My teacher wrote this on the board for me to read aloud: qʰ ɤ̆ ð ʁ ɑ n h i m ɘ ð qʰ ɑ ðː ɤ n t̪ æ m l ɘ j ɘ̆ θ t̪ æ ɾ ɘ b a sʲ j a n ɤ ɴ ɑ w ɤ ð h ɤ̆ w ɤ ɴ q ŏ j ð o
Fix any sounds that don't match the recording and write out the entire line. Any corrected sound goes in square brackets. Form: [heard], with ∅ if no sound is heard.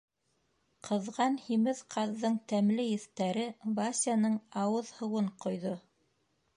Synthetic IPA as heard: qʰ ɤ̆ ð ʁ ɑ n h i m ɘ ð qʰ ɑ ðː ɤ [ɴ] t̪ æ m l ɘ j ɘ̆ θ t̪ æ ɾ ɘ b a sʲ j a n ɤ ɴ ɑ w ɤ ð h ɤ̆ w ɤ ɴ q ŏ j ð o